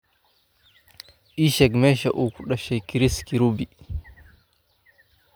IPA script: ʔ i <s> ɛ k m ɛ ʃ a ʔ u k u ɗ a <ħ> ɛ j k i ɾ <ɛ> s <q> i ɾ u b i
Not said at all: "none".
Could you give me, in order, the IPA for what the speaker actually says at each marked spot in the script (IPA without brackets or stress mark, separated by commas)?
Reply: ʃ, ʃ, i, k